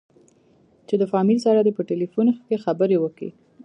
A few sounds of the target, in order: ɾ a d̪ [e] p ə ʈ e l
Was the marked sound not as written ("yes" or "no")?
no